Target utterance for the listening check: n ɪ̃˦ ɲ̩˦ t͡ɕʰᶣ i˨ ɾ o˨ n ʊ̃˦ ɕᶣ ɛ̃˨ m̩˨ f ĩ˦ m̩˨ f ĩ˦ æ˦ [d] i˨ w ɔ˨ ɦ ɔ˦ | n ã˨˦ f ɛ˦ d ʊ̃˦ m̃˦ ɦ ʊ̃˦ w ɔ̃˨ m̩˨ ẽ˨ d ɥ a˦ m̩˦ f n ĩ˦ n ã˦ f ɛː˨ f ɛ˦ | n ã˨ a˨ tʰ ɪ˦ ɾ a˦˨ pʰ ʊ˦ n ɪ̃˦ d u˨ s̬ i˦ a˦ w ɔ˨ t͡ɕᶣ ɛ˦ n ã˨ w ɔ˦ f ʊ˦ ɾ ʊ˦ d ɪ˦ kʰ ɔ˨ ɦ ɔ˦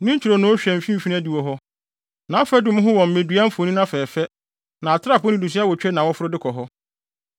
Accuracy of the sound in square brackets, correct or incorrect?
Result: correct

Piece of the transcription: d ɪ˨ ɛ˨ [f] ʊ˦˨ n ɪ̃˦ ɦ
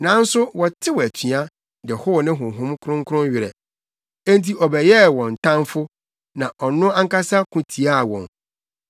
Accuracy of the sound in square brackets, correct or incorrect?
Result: incorrect: h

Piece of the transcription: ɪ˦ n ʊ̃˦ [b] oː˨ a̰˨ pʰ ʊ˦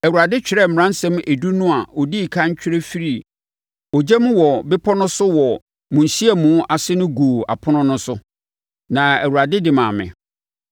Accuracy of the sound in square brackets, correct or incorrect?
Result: incorrect: ɡ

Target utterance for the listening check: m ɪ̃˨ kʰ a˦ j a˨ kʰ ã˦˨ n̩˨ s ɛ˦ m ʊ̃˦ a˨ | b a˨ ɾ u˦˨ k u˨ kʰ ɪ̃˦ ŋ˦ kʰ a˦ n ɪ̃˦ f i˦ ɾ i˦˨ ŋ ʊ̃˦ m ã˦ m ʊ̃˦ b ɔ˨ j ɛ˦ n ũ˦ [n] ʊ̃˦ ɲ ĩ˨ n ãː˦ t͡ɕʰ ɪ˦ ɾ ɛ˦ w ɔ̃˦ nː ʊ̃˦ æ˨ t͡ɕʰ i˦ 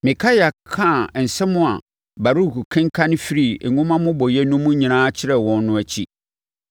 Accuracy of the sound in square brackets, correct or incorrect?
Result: incorrect: m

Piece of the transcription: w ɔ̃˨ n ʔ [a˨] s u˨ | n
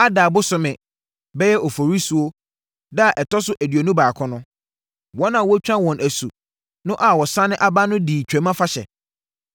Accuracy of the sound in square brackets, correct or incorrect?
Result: incorrect: æ˨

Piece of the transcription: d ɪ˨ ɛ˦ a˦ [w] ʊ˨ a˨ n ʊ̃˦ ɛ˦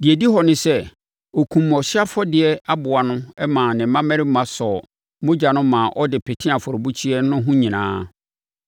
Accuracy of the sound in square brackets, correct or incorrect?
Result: incorrect: b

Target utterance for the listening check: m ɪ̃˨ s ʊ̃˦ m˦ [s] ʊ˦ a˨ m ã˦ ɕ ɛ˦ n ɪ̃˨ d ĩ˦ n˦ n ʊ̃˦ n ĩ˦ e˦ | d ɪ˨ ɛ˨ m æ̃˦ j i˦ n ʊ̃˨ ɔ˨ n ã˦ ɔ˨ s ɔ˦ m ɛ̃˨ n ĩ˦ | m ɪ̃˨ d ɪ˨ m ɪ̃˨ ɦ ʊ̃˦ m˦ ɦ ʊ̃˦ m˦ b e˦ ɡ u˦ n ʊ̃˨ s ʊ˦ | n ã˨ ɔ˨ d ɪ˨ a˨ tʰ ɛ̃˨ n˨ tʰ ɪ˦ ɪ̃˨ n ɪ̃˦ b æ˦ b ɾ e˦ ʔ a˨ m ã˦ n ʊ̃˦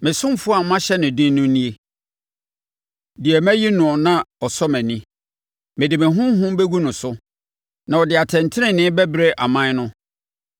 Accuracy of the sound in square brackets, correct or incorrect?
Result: incorrect: f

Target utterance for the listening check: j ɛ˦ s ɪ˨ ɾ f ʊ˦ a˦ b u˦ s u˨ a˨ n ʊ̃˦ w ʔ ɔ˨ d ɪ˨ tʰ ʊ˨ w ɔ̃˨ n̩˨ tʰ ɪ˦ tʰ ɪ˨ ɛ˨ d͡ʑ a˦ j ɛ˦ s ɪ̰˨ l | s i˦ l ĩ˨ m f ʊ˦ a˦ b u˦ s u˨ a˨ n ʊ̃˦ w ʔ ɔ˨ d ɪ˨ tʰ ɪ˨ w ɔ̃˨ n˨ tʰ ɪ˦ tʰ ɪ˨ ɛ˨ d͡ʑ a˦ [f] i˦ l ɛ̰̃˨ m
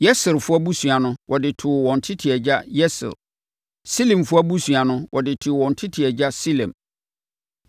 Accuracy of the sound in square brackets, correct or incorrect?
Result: incorrect: s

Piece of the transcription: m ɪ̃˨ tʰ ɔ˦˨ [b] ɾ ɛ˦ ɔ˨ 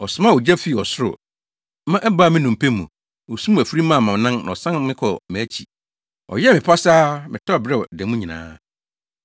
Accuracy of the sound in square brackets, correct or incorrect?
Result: correct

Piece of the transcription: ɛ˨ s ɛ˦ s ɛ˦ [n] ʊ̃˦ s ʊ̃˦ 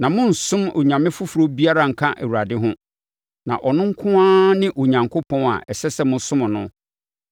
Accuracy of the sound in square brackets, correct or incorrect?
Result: incorrect: m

